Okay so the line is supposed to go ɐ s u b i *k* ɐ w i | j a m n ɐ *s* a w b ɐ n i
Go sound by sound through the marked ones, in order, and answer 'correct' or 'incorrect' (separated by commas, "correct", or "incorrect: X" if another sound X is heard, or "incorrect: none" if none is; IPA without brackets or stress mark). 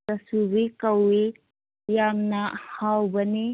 correct, incorrect: h